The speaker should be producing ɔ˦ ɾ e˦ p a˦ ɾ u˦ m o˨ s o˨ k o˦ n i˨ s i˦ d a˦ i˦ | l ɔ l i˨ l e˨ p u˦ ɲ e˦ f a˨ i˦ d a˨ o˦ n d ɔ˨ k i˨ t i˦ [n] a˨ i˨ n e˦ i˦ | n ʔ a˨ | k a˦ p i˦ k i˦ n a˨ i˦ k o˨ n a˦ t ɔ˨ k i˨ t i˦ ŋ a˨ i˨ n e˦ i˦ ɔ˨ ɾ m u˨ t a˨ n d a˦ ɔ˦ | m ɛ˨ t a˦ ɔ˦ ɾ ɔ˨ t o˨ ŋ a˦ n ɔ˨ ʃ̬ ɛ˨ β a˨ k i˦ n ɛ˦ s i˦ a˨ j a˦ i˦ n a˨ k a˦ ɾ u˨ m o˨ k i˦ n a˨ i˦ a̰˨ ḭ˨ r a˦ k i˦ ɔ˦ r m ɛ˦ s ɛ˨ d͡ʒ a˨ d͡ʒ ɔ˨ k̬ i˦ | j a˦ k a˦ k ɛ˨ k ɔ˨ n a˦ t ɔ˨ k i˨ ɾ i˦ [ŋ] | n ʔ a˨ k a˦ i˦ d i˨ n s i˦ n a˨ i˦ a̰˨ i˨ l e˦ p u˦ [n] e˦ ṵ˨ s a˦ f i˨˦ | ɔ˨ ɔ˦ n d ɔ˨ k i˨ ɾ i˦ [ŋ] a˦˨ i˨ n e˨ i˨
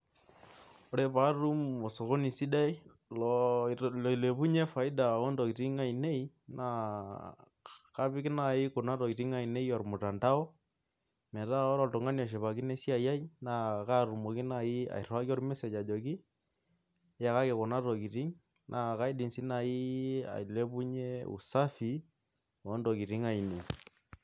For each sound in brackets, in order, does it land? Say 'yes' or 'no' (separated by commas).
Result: no, yes, no, yes